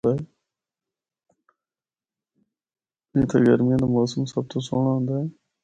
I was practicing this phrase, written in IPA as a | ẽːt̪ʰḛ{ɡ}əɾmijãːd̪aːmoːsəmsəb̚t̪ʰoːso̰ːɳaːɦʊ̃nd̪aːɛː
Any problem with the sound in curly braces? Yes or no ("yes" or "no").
no